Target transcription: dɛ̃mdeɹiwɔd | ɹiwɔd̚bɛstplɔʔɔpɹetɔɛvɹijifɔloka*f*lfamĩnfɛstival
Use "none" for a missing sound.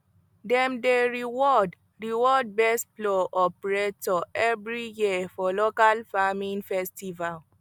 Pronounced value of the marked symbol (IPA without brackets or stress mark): none